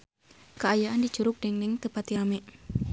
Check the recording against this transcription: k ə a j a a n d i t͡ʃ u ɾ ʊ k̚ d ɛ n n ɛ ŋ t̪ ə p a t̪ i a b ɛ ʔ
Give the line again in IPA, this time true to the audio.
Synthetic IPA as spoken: k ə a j a a n d i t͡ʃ u ɾ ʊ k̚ d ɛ ŋ n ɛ ŋ t̪ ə p a t̪ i a m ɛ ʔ